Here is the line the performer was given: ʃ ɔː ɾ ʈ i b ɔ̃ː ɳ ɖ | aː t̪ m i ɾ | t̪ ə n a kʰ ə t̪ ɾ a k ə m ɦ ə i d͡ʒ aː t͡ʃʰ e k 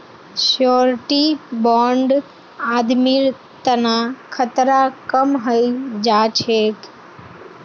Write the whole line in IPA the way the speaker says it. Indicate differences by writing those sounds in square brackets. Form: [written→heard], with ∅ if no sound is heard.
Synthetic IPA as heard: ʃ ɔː ɾ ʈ i b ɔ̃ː ɳ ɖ | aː [t̪→d̪] m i ɾ | t̪ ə n a kʰ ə t̪ ɾ a k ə m ɦ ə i d͡ʒ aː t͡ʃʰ e k